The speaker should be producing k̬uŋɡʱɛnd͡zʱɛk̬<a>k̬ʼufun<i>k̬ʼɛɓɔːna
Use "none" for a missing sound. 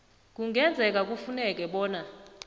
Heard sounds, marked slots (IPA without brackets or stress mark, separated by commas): a, ɛ